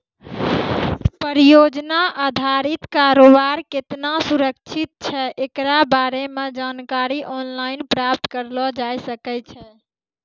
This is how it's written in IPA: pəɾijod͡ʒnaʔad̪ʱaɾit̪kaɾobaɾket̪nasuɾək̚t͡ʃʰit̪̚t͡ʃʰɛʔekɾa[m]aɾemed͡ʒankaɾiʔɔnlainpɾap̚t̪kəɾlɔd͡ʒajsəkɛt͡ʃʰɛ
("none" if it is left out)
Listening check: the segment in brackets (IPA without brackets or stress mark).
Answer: b